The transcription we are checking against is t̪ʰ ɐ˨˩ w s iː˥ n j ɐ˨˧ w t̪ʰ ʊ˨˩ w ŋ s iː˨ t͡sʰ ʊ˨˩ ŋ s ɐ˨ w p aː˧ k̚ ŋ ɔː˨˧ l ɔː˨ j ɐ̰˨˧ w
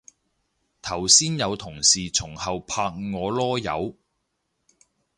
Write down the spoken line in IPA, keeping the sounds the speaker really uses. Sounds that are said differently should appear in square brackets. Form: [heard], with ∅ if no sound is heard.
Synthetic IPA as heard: t̪ʰ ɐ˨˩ w s iː˥ n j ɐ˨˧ w t̪ʰ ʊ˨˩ [∅] ŋ s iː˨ t͡sʰ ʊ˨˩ ŋ [h] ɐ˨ w [pʰ] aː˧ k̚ ŋ ɔː˨˧ l [ɔː˥] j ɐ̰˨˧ w